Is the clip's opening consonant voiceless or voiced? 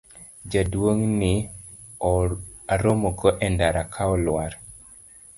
voiced